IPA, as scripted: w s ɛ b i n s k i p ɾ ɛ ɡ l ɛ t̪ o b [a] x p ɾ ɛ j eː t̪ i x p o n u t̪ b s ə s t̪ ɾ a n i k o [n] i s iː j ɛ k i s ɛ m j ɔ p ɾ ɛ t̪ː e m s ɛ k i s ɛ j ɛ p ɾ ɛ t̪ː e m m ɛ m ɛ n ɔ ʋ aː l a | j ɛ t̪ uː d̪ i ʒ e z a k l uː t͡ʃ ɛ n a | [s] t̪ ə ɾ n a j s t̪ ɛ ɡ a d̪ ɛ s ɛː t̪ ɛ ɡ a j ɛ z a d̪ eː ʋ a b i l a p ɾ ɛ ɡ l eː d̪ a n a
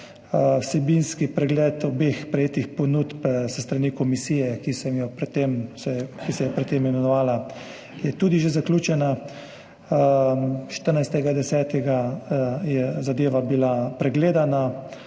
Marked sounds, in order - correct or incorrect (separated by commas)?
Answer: incorrect, incorrect, incorrect